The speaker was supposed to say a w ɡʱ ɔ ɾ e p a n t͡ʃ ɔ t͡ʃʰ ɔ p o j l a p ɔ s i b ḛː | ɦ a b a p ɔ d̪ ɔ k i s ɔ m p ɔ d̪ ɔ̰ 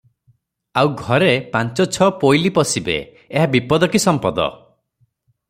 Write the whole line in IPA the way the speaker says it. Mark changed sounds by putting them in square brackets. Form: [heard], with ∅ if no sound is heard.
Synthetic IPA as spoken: a w ɡʱ ɔ ɾ e p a n t͡ʃ ɔ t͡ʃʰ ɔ p o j l [i] p ɔ s i b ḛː | ɦ a b [i] p ɔ d̪ ɔ k i s ɔ m p ɔ d̪ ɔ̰